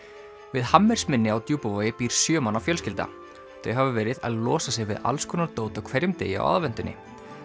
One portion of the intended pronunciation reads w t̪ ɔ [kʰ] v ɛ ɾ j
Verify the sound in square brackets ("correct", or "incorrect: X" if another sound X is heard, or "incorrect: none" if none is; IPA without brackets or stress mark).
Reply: correct